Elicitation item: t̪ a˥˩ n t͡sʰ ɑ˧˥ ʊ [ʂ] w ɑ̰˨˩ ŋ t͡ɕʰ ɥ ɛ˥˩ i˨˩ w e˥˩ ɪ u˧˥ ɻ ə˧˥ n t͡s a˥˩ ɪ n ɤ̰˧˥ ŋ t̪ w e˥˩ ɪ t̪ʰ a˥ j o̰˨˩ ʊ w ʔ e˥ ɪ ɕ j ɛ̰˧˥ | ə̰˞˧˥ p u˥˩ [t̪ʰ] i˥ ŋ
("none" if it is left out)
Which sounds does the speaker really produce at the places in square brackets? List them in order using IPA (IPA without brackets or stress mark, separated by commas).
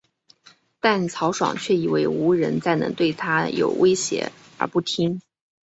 ʂ, t̪ʰ